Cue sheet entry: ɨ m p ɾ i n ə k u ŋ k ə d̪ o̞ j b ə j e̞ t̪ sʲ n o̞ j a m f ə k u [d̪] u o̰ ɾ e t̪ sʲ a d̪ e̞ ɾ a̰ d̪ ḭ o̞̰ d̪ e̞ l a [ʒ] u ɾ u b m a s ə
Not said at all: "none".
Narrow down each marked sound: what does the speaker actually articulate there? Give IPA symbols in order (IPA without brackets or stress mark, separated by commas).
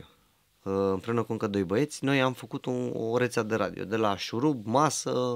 t̪, ʃ